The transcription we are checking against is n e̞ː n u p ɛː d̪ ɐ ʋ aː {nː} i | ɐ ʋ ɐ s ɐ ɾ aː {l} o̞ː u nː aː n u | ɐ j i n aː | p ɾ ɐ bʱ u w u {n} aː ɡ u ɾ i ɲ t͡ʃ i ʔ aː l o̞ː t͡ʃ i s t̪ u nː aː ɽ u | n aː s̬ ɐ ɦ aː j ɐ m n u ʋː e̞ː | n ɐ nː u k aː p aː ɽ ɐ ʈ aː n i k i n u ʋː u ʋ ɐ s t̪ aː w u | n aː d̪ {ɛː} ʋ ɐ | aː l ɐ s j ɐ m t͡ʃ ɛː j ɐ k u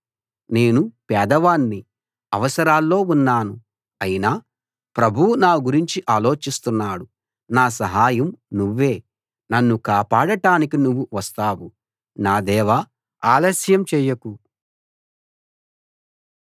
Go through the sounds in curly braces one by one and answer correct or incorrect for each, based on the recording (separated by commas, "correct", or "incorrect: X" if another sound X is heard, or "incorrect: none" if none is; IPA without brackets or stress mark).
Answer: correct, incorrect: lː, correct, correct